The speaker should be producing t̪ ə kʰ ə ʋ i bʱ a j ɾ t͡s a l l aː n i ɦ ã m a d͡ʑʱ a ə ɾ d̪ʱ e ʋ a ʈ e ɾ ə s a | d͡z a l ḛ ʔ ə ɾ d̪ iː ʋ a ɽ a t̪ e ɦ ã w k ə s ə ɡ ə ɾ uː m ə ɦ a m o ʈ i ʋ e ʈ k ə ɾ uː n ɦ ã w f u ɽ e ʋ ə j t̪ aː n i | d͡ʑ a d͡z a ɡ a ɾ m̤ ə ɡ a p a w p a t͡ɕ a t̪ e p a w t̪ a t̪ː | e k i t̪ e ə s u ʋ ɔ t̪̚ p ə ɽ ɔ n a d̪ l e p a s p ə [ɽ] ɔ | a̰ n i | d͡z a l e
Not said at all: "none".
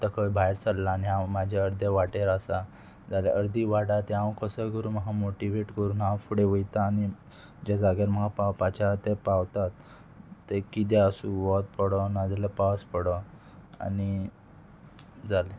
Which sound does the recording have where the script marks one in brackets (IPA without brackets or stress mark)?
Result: ɽ